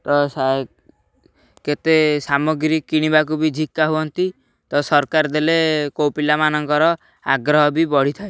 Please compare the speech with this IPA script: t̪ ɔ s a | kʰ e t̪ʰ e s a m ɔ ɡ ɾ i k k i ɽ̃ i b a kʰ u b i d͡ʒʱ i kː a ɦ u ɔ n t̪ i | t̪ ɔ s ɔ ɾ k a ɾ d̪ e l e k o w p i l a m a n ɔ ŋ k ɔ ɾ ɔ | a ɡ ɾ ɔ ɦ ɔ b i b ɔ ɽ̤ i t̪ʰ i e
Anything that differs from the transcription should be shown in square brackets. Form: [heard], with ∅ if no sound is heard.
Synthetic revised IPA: t̪ ɔ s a | [k] e [t̪] e s a m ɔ ɡ ɾ i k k i ɽ̃ i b a [k] u b i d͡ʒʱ i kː a ɦ u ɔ n t̪ i | t̪ ɔ s ɔ ɾ k a ɾ d̪ e l e k o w p i l a m a n ɔ ŋ k ɔ ɾ ɔ | a ɡ ɾ ɔ ɦ ɔ b i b ɔ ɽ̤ i t̪ʰ [a] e